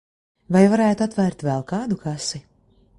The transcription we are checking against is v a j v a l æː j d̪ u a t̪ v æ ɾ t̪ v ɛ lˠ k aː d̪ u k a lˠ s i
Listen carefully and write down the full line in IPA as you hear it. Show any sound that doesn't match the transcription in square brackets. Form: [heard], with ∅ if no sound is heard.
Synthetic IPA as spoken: v a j v a [ɾ] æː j [t̪] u a t̪ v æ ɾ t̪ v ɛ lˠ k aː d̪ u k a [∅] s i